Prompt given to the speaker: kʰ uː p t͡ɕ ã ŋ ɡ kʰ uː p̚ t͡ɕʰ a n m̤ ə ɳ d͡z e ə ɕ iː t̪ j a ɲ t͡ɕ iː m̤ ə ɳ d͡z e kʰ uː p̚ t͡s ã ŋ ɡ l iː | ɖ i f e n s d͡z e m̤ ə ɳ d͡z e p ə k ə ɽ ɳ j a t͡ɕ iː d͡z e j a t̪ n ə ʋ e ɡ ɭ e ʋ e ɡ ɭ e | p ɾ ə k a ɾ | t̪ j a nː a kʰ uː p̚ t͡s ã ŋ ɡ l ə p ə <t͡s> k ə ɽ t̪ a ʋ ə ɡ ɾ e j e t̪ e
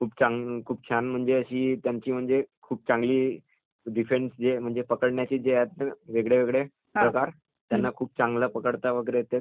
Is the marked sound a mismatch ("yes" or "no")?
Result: yes